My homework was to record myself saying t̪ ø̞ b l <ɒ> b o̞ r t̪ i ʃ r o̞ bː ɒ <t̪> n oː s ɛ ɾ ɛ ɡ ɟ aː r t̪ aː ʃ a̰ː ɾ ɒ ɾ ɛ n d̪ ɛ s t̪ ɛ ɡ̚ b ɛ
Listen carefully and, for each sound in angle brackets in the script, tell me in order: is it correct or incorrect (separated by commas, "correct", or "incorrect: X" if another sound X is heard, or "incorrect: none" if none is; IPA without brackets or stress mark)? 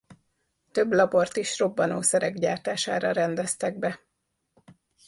correct, incorrect: none